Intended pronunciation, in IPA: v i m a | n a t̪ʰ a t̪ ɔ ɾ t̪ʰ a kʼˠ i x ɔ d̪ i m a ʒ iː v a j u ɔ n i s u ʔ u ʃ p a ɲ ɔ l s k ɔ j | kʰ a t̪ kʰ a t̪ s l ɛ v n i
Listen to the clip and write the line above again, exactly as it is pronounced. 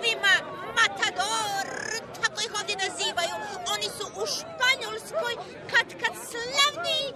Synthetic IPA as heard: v i m a | m a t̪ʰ a d̪ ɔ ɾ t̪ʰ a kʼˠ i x ɔ d̪ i n a z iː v a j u ɔ n i s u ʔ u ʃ p a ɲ ɔ l s k ɔ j | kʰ a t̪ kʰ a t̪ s l ɛ v n i